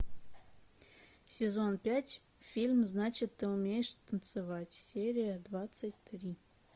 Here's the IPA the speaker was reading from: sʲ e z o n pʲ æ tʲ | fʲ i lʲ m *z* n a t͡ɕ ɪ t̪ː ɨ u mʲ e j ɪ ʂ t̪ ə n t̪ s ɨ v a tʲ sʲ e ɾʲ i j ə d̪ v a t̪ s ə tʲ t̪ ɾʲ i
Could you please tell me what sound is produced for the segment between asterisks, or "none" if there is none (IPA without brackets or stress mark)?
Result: z